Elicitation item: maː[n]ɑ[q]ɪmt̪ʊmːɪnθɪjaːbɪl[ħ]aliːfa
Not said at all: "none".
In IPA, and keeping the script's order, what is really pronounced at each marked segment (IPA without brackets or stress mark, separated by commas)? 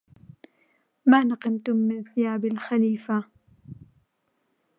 n, q, x